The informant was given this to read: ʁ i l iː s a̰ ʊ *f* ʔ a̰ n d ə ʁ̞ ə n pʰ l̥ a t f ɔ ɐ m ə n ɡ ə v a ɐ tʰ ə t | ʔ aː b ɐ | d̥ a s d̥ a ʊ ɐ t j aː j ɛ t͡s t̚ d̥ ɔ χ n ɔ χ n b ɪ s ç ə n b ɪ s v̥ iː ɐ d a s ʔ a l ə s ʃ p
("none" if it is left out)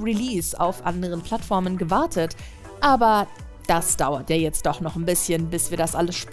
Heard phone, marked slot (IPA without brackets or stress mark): f